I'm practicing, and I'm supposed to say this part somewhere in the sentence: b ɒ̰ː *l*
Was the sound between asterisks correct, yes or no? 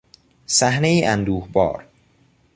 no